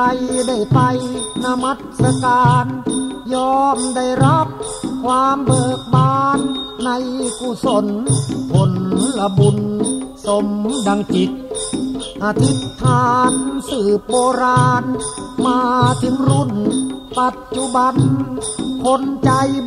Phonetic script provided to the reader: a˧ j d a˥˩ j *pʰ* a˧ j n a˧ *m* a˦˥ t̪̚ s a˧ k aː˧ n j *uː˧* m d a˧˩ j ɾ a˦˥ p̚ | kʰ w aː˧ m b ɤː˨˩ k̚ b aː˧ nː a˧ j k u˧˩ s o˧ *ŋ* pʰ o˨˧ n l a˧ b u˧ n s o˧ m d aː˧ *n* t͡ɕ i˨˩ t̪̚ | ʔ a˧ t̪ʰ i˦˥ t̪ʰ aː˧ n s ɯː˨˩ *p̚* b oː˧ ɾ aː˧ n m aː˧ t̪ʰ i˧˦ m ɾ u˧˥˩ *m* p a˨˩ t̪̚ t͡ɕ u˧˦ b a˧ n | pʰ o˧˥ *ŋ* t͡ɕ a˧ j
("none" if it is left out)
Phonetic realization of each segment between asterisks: p, m, ɔː˧, n, ŋ, p̚, n, n

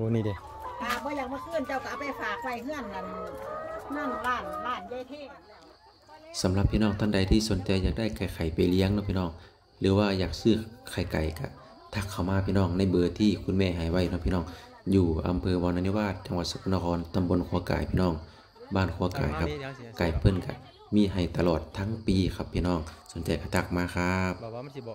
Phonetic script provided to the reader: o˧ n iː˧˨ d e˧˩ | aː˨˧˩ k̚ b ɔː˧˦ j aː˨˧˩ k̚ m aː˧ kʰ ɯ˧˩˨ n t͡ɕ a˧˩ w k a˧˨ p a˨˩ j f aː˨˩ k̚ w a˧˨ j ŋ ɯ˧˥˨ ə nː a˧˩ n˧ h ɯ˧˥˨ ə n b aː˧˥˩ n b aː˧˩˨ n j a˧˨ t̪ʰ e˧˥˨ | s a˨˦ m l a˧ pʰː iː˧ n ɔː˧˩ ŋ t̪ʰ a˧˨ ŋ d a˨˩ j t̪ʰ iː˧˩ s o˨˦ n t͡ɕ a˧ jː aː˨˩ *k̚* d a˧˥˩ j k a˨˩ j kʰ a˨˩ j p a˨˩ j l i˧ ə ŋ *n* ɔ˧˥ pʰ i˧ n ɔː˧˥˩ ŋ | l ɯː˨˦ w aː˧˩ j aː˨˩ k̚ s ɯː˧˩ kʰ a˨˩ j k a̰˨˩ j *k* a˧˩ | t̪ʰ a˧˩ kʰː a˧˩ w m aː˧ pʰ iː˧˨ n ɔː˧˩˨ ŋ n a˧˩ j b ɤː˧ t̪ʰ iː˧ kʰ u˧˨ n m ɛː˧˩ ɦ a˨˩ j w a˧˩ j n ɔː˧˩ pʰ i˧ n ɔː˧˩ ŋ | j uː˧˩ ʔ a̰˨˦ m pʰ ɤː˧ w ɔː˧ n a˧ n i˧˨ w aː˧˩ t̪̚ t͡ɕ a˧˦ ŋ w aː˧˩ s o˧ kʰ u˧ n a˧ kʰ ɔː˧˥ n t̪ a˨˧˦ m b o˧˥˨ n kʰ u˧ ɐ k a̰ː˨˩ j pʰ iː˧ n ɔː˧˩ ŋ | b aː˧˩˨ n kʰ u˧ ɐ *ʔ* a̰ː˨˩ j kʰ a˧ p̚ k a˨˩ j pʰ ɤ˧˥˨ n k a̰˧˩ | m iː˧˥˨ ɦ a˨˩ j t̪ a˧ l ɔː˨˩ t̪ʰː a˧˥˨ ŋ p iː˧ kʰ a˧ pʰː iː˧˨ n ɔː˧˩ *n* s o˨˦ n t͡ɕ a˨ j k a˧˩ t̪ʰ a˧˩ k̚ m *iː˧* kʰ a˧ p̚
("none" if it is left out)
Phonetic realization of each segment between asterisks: k̚, n, k, k, ŋ, aː˧

